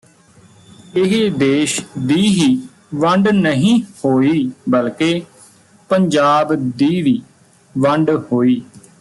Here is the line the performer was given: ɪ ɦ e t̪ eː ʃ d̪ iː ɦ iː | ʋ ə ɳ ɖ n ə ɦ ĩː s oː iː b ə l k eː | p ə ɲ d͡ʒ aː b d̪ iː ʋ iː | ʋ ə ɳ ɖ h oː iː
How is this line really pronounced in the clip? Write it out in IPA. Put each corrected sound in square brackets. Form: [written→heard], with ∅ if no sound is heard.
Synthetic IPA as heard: ɪ ɦ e [t̪→d̪] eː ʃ d̪ iː ɦ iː | ʋ ə ɳ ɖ n ə ɦ ĩː [s→h] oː iː b ə l k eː | p ə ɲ d͡ʒ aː b d̪ iː ʋ iː | ʋ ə ɳ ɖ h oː iː